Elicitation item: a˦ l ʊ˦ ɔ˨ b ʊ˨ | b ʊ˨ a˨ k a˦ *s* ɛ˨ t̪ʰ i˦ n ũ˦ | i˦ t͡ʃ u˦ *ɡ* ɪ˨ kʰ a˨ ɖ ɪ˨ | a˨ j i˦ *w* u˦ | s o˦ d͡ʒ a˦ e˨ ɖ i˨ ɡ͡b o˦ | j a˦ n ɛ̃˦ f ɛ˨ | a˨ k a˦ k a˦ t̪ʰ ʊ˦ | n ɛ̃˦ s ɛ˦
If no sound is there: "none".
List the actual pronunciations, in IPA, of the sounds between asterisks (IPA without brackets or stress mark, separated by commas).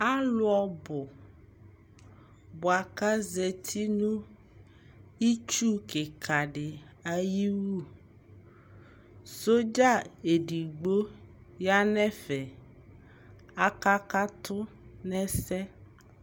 z, k, w